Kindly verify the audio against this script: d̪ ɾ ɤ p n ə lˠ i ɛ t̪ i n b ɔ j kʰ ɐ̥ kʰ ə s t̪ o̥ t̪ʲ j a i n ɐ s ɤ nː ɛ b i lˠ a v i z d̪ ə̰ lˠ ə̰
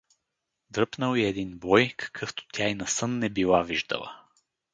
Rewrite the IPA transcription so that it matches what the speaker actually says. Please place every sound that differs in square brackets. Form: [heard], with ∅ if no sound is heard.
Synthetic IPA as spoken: d̪ ɾ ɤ p n ə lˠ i ɛ [d̪] i n b ɔ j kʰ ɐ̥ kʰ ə [f] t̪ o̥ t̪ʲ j a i n ɐ s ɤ nː ɛ b i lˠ a v i [ʒ] d̪ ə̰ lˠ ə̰